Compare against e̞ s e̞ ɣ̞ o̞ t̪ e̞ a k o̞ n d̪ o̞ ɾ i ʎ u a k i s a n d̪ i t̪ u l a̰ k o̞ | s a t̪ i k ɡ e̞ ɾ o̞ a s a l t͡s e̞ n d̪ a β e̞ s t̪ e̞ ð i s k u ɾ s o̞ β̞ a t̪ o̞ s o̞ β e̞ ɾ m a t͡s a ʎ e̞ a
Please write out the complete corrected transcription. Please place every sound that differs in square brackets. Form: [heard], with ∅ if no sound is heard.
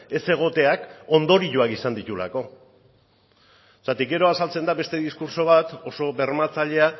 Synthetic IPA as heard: e̞ s e̞ ɣ̞ o̞ t̪ e̞ a k o̞ n d̪ o̞ ɾ i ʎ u a k i s a n d̪ i t̪ u l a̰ k o̞ | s a t̪ i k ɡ e̞ ɾ o̞ a s a l t͡s e̞ n d̪ a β e̞ s t̪ e̞ ð i s k u ɾ s o̞ β̞ a t̪ o̞ s o̞ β e̞ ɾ m a t͡s a ʎ e̞ a